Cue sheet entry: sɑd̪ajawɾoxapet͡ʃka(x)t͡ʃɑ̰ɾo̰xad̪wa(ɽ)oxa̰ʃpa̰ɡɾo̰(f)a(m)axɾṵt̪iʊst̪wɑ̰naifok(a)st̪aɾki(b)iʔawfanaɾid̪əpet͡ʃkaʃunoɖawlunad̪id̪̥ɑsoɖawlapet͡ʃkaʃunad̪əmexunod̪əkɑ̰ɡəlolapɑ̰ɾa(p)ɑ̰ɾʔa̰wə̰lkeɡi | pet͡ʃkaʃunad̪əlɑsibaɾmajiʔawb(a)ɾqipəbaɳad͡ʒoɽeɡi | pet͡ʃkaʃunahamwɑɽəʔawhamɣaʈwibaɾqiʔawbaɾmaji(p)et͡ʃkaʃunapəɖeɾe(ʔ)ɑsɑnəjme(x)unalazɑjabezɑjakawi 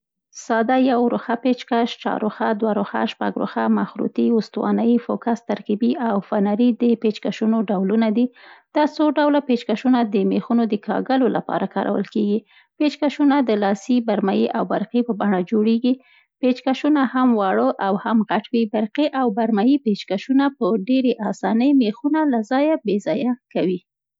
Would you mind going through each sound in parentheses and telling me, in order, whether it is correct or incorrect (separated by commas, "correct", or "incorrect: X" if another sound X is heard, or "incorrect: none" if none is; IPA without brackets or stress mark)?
incorrect: ʃ, incorrect: ɾ, incorrect: x, correct, correct, correct, incorrect: k, correct, correct, correct, correct